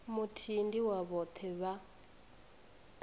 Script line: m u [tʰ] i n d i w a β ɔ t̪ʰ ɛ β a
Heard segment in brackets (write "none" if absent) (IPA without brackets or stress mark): tʰ